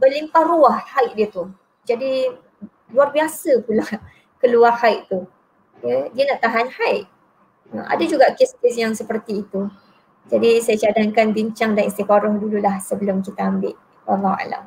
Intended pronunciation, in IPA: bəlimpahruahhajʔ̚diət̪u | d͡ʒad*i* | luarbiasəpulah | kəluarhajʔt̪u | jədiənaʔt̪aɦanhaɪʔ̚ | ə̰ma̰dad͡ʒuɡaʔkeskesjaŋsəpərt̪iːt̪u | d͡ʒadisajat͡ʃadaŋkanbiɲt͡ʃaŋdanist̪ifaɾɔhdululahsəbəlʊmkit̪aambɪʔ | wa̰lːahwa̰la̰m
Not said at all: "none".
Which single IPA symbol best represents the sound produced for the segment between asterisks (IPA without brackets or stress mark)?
i